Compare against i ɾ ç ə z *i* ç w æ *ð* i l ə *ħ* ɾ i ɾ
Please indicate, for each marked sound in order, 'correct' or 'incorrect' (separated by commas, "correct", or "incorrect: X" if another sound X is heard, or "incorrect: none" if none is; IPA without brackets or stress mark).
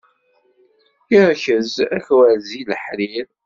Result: incorrect: æ, incorrect: z, correct